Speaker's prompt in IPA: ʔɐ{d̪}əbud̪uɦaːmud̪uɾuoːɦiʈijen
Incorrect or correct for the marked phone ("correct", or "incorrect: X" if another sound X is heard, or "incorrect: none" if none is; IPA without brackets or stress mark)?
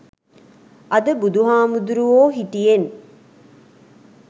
correct